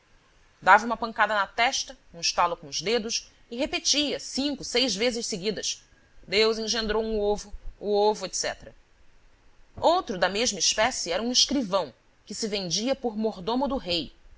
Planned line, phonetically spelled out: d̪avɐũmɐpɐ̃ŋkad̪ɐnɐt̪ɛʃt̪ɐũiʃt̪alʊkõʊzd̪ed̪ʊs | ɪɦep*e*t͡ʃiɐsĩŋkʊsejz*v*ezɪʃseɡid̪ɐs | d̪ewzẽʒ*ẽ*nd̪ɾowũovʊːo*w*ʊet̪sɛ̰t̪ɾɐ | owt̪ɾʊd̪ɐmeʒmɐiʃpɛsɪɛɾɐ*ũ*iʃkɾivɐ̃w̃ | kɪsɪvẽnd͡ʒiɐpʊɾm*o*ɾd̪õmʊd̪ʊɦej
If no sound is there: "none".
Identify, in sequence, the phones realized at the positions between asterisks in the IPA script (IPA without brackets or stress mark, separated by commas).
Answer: e, v, ẽ, v, ũ, o